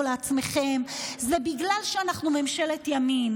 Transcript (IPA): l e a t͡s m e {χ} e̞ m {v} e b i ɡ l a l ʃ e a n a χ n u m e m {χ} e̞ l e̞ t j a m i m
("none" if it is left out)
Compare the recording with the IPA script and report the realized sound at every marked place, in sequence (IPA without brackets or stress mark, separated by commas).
χ, z, ʃ